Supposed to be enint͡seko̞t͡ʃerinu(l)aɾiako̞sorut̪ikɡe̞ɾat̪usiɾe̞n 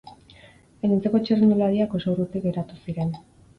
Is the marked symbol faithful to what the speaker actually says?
yes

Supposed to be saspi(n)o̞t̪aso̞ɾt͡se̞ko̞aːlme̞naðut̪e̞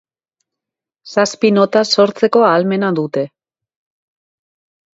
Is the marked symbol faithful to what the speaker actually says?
yes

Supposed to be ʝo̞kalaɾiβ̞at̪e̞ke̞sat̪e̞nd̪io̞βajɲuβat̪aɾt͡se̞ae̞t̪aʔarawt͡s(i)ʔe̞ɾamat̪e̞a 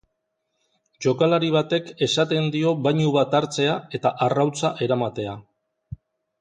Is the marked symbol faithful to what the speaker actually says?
no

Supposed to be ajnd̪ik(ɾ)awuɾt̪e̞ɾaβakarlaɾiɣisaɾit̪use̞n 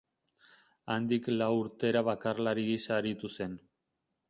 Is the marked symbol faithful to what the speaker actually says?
no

